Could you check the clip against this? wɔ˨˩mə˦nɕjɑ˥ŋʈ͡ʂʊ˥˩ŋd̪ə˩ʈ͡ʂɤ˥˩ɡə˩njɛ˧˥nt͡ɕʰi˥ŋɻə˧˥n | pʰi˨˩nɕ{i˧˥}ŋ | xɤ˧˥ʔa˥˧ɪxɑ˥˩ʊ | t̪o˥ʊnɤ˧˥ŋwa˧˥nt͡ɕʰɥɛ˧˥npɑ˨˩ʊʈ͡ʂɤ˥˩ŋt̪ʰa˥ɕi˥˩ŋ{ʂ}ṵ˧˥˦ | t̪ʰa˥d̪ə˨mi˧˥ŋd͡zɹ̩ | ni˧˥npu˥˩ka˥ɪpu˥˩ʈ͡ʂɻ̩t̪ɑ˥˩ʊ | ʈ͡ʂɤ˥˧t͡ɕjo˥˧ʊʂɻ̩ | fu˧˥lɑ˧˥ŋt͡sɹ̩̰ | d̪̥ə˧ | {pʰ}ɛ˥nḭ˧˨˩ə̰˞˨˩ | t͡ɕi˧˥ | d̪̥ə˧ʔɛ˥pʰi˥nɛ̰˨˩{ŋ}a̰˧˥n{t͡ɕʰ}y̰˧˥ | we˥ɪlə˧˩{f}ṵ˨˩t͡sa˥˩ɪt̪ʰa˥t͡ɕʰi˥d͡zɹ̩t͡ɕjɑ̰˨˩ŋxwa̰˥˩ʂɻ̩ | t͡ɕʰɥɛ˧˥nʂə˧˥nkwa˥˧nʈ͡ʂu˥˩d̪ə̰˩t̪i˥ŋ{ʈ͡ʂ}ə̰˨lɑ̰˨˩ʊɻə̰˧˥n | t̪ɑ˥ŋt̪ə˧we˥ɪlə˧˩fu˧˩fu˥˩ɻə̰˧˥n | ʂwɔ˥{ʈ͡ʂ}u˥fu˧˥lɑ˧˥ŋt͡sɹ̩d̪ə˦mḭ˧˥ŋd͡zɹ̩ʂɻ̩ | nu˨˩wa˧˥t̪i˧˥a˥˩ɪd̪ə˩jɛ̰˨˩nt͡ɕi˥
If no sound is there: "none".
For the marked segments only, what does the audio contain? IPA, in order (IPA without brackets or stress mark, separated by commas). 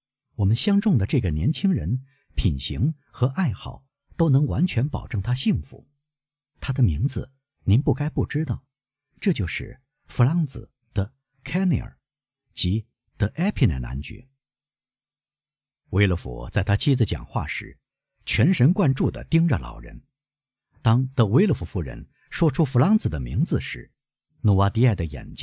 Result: i˧˥, f, kʰ, n, t͡ɕ, f, ʈ͡ʂ, ʈ͡ʂʰ